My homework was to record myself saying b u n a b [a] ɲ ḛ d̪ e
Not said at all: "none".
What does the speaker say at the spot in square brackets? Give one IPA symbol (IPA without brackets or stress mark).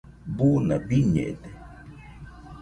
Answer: i